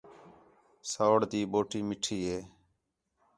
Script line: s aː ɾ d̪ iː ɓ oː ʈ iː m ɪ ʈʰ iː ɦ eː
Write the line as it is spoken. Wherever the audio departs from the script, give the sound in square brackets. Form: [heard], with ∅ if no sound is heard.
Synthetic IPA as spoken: s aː [ɽ] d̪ iː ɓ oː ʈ iː m ɪ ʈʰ iː ɦ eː